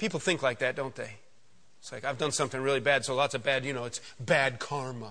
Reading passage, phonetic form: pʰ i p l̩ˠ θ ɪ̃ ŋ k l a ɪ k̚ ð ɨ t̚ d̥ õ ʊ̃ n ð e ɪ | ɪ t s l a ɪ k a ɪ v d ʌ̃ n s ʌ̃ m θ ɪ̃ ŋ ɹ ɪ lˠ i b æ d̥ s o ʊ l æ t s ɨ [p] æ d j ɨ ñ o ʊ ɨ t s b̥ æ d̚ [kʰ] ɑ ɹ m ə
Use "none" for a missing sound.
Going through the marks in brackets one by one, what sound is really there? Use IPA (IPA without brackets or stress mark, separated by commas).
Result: b, kʰ